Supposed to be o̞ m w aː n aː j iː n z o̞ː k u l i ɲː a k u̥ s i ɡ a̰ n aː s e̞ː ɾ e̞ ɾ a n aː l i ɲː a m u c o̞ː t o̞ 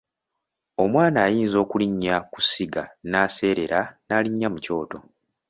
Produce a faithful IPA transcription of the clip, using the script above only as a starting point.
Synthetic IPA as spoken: o̞ m w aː n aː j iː n z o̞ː k u l i ɲː a k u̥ s i ɡ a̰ n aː s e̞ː ɾ e̞ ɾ a n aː l i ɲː a m u c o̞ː t o̞

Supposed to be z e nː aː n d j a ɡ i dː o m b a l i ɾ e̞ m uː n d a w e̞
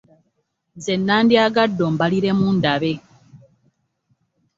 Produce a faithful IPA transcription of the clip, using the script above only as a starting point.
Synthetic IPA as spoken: z e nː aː n d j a ɡ a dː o m b a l i ɾ e̞ m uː n d a β e̞

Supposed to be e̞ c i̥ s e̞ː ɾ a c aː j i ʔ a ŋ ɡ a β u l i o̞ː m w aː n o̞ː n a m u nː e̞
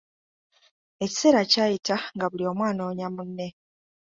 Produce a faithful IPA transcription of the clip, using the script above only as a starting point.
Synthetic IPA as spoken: e̞ c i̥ s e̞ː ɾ a c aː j i t a ŋ ɡ a β u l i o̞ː m w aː n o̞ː ɲ a m u nː e̞

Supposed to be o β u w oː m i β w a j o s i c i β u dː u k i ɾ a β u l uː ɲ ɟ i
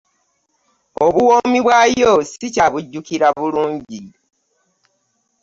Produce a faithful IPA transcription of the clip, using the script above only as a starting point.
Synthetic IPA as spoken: o β u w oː m i β w a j o s i c a β u ɟː u k i ɾ a β u l uː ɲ ɟ i

